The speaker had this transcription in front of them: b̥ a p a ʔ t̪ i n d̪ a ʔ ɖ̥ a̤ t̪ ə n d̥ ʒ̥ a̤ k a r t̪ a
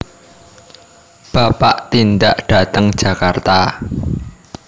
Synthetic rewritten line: b̥ a p a ʔ t̪ i n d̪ a ʔ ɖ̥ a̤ t̪ ə ŋ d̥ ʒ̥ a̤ k a r t̪ a

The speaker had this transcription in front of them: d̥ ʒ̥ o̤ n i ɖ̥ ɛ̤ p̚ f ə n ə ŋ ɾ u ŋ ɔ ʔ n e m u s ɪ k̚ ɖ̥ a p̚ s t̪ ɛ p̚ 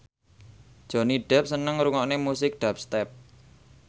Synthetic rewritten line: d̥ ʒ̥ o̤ n i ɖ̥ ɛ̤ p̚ s ə n ə ŋ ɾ u ŋ ɔ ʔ n e m u s ɪ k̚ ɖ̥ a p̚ s t̪ ɛ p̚

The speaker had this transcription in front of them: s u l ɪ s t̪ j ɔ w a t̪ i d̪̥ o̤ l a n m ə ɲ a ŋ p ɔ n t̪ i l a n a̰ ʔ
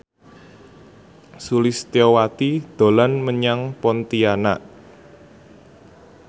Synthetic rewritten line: s u l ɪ s t̪ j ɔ w a t̪ i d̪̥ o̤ l a n m ə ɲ a ŋ p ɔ n t̪ i a n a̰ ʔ

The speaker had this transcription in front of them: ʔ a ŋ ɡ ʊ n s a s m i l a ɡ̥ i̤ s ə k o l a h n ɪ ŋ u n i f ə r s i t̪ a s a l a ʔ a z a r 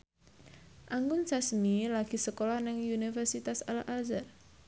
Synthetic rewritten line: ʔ a ŋ ɡ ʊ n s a s m i l a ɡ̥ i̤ s ə k o l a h n ɪ ŋ u n i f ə r s i t̪ a s a l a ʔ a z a r

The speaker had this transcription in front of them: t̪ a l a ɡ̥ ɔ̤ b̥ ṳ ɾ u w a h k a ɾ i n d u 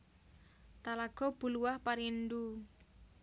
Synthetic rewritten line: t̪ a l a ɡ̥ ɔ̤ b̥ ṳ l u w a h p a ɾ i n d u

